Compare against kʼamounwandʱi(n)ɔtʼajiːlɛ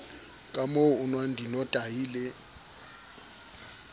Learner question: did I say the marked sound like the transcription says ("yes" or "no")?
yes